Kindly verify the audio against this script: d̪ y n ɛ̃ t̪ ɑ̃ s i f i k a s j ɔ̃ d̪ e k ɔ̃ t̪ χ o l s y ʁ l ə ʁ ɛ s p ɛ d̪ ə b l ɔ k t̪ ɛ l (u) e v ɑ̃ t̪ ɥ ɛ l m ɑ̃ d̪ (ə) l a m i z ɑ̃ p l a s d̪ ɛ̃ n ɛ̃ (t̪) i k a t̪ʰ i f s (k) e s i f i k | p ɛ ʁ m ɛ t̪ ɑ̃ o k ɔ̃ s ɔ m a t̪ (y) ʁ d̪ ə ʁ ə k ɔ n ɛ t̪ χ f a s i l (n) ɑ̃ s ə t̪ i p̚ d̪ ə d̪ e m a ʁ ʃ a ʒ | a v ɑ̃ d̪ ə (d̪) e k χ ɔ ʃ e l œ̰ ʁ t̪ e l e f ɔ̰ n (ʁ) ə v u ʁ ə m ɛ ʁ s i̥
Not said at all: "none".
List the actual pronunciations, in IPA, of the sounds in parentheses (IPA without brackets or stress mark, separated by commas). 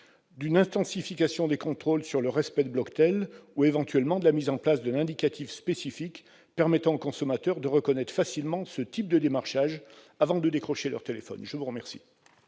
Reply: u, ə, d̪, p, œ, m, d̪, ʒ